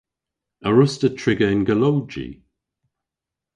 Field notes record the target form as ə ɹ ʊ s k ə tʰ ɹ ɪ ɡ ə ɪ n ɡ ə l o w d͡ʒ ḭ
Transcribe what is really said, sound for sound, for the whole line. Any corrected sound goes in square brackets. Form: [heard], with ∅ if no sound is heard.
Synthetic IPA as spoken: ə ɹ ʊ s [t] ə tʰ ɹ ɪ ɡ ə ɪ n ɡ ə l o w d͡ʒ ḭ